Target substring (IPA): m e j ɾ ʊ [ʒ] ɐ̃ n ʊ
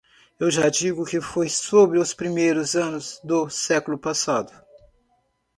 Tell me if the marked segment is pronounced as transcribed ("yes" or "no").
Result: no